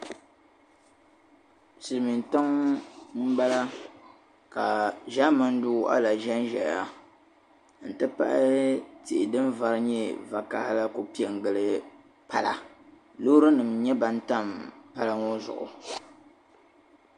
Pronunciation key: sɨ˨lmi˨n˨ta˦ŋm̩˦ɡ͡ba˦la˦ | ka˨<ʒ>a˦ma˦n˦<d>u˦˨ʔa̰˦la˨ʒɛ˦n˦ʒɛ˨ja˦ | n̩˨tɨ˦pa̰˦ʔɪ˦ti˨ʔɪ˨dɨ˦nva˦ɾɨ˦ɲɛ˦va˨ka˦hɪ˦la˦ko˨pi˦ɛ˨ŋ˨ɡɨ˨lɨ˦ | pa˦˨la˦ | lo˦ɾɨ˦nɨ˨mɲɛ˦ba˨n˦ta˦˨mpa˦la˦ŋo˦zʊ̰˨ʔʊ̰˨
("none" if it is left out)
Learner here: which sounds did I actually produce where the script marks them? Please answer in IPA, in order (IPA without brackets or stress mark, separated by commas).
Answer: ʒ, d